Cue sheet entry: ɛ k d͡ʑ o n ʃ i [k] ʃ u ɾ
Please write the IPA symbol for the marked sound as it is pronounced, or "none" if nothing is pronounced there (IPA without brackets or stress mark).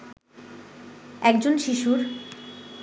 none